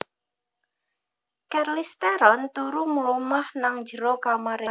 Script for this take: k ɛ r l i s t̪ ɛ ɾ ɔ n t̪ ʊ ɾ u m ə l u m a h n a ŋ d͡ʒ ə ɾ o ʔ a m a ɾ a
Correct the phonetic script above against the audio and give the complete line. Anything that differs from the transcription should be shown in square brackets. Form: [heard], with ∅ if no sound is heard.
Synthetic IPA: k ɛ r l i s t̪ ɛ ɾ ɔ n t̪ [u] ɾ u m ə l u m a h n a ŋ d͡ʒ ə ɾ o [k] a m a ɾ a